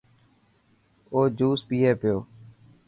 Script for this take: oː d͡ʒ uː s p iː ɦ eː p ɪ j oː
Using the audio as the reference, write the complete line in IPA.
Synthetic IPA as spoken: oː d͡ʒ uː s p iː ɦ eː p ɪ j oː